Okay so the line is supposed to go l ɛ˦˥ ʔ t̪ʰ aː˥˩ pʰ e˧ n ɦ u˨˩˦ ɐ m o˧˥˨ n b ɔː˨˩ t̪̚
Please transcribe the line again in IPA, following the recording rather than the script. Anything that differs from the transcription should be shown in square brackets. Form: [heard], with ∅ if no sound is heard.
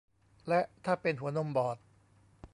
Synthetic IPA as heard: l ɛ˦˥ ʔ t̪ʰ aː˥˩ [p] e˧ n ɦ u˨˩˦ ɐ [n] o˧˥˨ [m] b ɔː˨˩ t̪̚